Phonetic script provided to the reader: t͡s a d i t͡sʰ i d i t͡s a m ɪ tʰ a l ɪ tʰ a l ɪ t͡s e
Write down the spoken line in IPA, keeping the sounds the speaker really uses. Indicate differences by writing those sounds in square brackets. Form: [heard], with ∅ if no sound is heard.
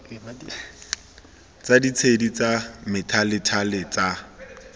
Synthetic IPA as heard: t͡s a d i t͡sʰ [e] d i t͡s a m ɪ tʰ a l ɪ tʰ a l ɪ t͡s [a]